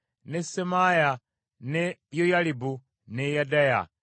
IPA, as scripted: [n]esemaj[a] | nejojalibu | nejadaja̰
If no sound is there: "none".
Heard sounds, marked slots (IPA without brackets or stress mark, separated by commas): n, a